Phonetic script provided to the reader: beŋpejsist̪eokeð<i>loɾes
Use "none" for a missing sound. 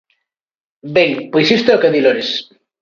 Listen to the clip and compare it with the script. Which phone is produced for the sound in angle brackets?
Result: i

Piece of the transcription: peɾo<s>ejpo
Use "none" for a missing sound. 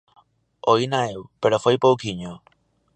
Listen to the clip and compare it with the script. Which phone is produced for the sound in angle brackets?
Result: f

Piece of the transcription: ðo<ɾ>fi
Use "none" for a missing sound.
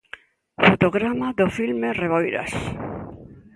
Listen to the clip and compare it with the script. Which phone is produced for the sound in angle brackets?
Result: none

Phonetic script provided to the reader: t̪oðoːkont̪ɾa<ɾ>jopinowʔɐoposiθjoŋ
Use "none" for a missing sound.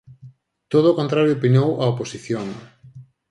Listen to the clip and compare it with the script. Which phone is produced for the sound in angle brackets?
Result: ɾ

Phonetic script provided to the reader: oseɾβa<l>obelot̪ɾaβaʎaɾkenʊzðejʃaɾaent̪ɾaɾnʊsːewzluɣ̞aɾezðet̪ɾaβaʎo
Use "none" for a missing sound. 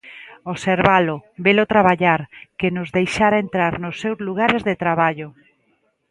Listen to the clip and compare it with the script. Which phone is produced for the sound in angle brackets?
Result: l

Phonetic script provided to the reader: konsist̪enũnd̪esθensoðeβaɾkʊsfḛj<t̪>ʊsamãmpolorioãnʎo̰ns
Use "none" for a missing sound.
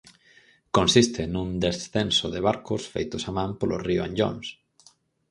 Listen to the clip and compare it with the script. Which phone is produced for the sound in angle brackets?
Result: t̪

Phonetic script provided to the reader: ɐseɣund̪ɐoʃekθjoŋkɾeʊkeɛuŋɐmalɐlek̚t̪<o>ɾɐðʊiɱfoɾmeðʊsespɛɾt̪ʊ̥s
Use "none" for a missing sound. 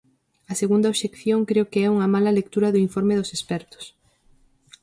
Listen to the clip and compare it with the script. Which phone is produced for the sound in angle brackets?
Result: u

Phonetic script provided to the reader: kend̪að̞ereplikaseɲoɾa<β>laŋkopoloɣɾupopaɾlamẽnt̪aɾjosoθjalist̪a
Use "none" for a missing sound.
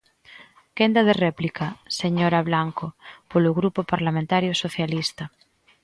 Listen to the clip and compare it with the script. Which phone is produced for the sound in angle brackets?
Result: β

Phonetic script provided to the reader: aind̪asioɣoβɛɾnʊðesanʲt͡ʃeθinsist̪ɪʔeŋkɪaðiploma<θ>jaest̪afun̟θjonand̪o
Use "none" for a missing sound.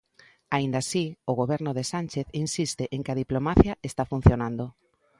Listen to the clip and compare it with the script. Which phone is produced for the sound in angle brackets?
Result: θ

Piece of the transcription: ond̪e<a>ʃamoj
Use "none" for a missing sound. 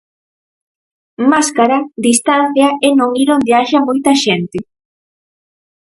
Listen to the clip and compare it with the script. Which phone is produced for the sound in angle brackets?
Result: a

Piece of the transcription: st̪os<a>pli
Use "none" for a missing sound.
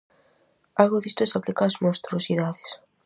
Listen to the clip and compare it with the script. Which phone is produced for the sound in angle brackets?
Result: a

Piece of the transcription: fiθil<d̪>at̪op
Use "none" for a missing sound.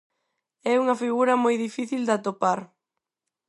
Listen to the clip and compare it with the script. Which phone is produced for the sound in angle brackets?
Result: d̪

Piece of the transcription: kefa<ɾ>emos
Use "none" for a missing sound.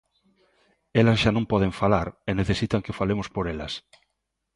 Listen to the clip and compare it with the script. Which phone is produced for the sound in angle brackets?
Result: l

